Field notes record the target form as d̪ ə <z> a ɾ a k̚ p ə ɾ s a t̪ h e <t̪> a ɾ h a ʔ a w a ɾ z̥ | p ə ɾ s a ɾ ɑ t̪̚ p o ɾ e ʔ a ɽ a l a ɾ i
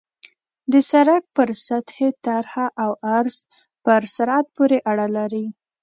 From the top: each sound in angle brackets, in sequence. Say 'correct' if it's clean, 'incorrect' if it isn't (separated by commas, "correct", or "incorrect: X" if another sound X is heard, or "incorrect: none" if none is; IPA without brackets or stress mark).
incorrect: s, correct